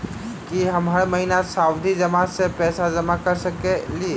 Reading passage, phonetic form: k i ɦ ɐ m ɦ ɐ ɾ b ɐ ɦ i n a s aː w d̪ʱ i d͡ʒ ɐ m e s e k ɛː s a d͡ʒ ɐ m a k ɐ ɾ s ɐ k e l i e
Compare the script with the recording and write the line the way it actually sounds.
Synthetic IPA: k i ɦ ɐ m ɦ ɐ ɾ m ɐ ɦ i n a s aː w d̪ʱ i d͡ʒ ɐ m a s e p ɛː s a d͡ʒ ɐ m a k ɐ ɾ s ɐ k e l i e